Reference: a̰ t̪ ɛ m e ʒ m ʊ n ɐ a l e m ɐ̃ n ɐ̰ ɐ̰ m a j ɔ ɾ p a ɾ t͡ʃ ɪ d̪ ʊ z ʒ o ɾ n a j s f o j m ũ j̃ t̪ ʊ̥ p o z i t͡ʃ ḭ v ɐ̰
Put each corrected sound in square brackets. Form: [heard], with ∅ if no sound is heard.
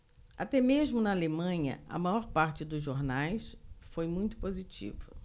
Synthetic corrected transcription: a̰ t̪ ɛ m e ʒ m ʊ n ɐ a l e m ɐ̃ [ɲ] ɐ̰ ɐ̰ m a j ɔ ɾ p a ɾ t͡ʃ ɪ d̪ ʊ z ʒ o ɾ n a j s f o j m ũ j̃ t̪ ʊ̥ p o z i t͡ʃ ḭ v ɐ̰